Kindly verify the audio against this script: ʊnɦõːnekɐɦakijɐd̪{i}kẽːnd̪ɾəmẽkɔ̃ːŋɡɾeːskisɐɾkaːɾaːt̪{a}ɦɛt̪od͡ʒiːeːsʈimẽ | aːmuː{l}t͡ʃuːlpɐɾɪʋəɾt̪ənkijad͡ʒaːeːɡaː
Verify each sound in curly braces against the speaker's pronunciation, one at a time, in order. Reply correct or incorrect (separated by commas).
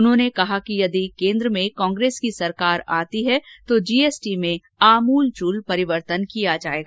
correct, incorrect, correct